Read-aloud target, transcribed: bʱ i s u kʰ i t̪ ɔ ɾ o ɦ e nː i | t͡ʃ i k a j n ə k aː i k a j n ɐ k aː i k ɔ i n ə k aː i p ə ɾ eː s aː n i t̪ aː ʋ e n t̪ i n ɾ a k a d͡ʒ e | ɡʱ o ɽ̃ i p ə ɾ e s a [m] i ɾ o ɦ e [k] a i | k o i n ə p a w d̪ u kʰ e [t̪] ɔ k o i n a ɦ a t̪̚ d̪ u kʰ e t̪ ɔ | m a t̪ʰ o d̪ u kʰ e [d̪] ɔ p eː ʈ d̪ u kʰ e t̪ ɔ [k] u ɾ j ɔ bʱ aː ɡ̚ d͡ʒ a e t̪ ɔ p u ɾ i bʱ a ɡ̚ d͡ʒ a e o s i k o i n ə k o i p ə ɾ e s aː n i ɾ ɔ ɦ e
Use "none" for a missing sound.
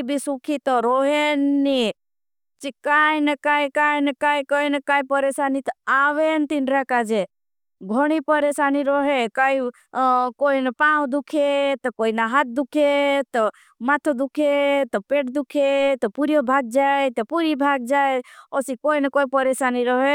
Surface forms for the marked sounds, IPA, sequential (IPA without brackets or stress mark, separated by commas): n, k, t̪, t̪, p